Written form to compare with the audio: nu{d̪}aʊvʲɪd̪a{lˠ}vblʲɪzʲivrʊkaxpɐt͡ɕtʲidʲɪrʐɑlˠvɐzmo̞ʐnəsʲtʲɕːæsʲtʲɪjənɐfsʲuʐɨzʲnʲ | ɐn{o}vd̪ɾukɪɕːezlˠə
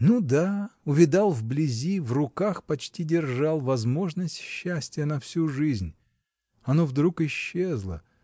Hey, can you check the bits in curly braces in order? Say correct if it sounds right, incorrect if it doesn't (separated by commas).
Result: correct, correct, correct